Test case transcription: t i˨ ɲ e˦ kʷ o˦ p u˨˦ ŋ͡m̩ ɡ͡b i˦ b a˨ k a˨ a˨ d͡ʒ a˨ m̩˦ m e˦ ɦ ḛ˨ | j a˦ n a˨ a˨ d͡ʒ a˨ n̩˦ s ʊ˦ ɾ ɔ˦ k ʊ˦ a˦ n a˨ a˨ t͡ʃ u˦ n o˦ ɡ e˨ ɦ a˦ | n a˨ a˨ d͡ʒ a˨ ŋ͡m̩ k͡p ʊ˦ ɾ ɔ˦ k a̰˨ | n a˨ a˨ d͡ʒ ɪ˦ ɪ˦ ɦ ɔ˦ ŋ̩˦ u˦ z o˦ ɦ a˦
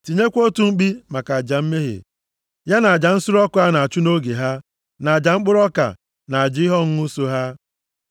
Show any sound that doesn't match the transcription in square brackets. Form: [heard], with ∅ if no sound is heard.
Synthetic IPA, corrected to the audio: t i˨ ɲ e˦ kʷ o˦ [t] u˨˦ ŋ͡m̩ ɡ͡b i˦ [m] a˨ k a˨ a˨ d͡ʒ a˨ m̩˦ m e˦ ɦ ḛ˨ | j a˦ n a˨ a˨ d͡ʒ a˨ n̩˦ s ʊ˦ ɾ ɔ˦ k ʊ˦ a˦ n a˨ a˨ t͡ʃ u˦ n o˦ ɡ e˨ ɦ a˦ | n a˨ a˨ d͡ʒ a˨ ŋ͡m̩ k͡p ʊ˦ ɾ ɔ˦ k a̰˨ | n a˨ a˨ d͡ʒ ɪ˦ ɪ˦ ɦ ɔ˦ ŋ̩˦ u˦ [s] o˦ ɦ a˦

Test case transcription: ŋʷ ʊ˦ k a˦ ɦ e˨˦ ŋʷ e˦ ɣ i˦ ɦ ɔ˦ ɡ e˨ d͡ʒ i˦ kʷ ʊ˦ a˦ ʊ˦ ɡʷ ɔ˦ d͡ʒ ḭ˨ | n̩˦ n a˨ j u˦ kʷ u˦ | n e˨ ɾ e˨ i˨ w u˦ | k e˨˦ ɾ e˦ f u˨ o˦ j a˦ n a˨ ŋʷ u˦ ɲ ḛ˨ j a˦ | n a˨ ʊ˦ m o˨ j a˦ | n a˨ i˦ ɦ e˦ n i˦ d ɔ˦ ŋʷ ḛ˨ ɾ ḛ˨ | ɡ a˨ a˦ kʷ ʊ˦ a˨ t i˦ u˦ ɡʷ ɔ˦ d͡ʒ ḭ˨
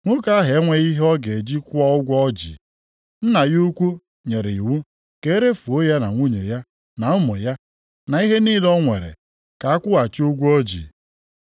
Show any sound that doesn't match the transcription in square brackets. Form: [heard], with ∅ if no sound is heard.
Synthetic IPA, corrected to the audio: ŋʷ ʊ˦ k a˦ ɦ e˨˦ ŋʷ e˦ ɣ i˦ ɦ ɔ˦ ɡ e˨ d͡ʒ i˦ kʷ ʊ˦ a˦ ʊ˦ ɡʷ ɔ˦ d͡ʒ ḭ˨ | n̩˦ n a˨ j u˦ kʷ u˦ | [ɲ] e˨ ɾ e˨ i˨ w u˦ | k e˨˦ ɾ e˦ f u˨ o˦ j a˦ n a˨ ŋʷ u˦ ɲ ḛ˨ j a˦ | n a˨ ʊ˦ m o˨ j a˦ | n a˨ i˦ ɦ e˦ n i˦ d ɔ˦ ŋʷ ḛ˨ ɾ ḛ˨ | [k] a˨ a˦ kʷ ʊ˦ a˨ [t͡ʃ] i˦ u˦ ɡʷ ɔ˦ d͡ʒ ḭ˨

